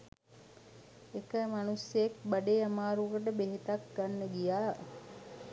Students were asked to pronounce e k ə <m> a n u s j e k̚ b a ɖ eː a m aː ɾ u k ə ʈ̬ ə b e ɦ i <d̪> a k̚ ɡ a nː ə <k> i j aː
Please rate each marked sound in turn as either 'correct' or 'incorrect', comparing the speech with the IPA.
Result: correct, incorrect: t̪, incorrect: ɡ

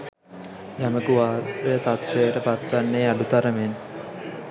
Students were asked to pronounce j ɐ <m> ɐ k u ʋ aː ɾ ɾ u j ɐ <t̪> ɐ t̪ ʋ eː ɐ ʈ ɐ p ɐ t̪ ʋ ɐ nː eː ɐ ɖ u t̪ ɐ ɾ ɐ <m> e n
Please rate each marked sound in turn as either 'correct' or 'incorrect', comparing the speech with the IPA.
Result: correct, correct, correct

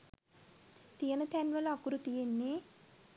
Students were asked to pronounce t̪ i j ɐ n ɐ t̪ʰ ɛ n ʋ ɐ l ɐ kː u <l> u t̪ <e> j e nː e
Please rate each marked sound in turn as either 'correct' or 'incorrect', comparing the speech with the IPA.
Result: incorrect: ɾ, incorrect: i

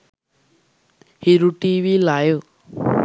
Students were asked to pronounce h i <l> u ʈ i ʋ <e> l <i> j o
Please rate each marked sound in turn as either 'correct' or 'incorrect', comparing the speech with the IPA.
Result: incorrect: ɾ, incorrect: i, incorrect: a

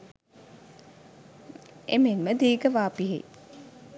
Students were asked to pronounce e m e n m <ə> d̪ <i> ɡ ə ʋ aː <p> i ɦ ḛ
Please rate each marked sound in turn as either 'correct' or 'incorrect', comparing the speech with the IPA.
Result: correct, incorrect: iː, correct

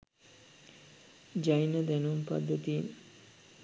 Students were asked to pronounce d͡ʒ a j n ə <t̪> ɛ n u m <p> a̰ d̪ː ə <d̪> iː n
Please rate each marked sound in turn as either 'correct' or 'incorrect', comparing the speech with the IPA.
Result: incorrect: d̪, correct, incorrect: t̪

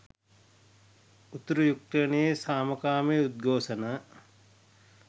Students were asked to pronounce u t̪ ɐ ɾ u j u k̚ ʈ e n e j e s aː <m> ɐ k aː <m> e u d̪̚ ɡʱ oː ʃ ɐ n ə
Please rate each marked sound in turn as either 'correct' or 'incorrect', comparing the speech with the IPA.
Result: correct, correct

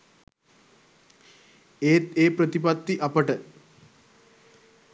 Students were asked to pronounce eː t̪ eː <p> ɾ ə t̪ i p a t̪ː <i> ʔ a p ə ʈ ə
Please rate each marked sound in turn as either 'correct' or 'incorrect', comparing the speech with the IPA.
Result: correct, correct

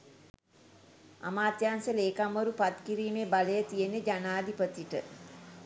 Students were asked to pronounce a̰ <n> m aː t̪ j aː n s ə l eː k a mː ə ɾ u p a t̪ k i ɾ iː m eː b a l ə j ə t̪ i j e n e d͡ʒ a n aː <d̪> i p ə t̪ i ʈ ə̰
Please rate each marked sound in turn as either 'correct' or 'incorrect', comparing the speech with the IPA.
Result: incorrect: none, correct

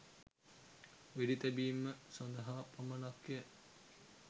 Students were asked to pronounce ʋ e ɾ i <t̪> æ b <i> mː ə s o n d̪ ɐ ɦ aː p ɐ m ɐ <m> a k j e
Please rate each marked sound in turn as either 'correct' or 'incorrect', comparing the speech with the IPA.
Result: correct, incorrect: iː, incorrect: n

